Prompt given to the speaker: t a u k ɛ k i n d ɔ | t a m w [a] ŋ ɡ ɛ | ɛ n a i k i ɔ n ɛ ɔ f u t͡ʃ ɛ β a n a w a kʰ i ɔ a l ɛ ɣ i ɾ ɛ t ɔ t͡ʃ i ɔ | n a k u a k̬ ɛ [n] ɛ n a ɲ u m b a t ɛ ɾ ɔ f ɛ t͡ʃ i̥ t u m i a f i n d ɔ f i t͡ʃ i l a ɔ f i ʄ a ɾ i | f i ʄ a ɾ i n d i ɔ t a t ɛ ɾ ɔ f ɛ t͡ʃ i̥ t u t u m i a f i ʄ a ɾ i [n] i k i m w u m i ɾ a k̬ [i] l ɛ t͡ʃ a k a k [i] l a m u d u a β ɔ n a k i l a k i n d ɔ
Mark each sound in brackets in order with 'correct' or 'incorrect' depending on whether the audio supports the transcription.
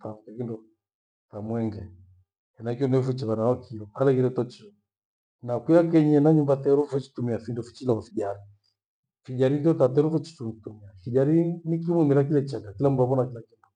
incorrect, incorrect, correct, correct, correct

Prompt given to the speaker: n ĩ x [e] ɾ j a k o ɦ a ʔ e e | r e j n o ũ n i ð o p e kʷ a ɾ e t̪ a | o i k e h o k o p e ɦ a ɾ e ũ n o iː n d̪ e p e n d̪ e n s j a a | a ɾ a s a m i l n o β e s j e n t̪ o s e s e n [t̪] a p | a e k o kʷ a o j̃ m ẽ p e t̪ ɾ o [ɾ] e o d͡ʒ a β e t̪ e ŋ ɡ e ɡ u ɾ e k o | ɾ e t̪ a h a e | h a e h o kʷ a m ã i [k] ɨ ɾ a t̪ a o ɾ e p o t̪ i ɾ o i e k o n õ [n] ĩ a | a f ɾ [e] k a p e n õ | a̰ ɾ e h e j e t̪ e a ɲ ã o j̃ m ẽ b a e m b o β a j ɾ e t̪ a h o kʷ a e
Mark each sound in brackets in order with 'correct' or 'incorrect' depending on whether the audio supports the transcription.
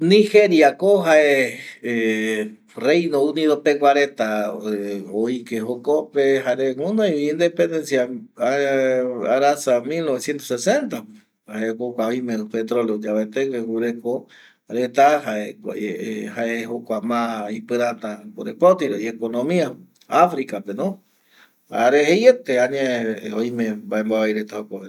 correct, correct, incorrect, incorrect, incorrect, incorrect

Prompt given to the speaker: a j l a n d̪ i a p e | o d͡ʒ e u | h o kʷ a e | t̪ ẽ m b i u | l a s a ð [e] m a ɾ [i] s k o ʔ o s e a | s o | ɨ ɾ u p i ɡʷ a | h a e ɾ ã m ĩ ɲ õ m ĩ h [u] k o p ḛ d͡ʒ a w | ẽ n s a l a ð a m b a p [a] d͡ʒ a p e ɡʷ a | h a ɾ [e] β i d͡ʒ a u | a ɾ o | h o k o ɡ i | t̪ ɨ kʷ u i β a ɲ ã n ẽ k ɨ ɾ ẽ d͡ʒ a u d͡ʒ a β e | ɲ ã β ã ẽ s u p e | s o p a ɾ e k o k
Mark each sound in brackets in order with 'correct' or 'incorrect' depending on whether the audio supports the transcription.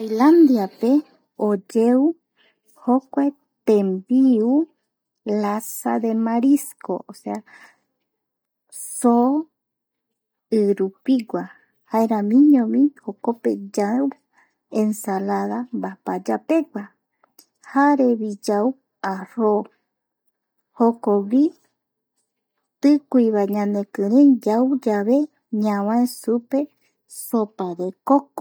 correct, correct, incorrect, correct, correct

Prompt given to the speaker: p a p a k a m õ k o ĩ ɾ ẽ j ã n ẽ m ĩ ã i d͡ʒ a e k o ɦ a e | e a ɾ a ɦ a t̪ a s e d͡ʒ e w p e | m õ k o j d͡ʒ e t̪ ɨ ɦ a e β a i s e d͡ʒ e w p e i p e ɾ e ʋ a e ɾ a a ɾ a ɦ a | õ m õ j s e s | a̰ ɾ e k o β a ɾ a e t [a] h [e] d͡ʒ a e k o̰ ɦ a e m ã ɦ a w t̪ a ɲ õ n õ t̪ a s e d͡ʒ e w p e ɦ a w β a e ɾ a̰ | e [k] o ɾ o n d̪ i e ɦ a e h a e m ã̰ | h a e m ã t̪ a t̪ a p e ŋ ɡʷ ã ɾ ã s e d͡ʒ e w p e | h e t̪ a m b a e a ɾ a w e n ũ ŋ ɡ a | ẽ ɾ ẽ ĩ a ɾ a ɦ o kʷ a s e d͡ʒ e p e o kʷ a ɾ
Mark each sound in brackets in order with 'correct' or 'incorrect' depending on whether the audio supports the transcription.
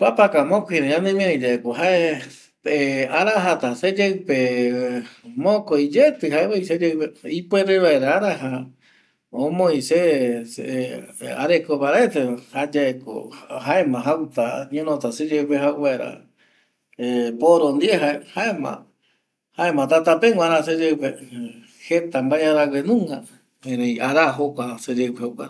incorrect, incorrect, incorrect

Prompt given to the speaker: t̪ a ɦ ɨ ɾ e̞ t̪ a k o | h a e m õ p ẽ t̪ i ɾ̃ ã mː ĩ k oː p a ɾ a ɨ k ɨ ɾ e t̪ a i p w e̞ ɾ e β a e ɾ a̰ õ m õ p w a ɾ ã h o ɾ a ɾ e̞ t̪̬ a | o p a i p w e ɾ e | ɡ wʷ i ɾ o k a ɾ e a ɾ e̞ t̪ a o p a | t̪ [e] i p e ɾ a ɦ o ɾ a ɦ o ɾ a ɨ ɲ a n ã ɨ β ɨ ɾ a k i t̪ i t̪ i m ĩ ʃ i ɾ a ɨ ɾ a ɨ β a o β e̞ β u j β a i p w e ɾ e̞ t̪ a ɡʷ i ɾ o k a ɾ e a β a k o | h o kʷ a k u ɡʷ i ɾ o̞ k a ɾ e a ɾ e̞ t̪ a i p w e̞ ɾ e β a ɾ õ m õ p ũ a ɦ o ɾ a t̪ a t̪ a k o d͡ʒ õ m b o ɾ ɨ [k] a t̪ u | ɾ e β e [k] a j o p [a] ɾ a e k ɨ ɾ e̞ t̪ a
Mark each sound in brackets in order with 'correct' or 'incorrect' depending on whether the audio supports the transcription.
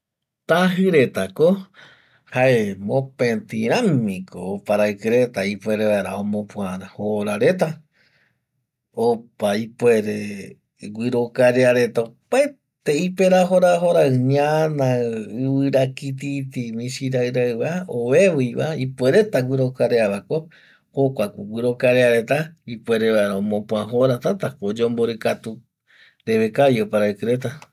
correct, correct, correct, correct

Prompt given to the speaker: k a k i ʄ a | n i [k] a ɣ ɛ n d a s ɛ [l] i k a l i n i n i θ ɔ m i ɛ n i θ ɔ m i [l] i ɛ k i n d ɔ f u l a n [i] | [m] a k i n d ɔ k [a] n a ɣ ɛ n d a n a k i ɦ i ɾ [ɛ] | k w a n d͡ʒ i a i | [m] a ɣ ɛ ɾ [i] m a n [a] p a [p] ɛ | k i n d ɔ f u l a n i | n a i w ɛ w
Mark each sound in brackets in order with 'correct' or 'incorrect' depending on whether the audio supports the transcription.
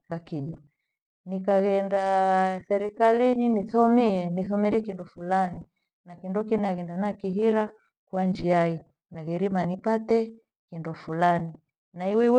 correct, incorrect, incorrect, correct, incorrect, incorrect, incorrect, incorrect, correct, incorrect, incorrect

